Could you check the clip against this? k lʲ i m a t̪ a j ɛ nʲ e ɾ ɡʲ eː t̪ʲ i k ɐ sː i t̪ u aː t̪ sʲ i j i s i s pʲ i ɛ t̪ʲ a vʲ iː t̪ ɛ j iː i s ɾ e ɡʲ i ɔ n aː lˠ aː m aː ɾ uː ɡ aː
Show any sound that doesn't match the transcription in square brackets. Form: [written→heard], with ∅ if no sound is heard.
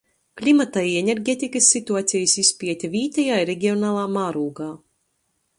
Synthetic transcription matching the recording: k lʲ i m a t̪ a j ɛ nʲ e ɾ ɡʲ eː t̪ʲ i k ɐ sː i t̪ u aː t̪ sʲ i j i s i s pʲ i ɛ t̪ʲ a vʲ iː t̪ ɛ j [iː→aː] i [s→∅] ɾ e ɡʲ i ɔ n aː lˠ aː m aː ɾ uː ɡ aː